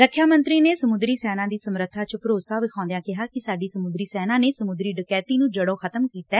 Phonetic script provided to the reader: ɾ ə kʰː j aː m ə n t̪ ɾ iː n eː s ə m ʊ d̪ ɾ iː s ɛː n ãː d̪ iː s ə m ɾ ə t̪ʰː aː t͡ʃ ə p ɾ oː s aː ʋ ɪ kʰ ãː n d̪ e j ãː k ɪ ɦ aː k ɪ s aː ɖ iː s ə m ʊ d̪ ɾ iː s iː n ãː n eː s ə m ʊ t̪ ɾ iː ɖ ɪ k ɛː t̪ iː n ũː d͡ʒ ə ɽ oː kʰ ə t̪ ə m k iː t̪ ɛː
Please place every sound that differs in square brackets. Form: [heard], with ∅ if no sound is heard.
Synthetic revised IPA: ɾ ə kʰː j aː m ə n t̪ ɾ iː n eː s ə m ʊ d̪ ɾ iː s ɛː n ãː d̪ iː s ə m ɾ ə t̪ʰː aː t͡ʃ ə p ɾ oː s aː ʋ ɪ kʰ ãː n d̪ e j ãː k ɪ ɦ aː k ɪ s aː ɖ iː s ə m ʊ d̪ ɾ iː s [ɛː] n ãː n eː s ə m ʊ [d̪] ɾ iː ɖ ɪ k ɛː t̪ iː n ũː d͡ʒ ə ɽ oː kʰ ə t̪ ə m k iː t̪ ɛː